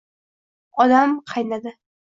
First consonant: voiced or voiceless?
voiced